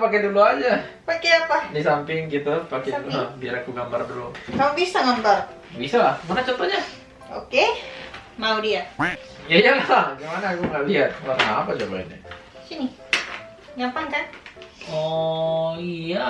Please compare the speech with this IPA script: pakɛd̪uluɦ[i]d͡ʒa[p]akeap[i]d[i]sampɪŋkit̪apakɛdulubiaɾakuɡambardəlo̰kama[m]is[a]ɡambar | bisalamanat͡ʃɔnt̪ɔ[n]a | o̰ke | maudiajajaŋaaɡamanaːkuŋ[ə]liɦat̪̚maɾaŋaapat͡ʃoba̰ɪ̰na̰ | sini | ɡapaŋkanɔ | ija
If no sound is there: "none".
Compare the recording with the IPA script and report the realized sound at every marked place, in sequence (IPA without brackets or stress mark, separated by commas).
a, p, a, i, b, a, ɲ, a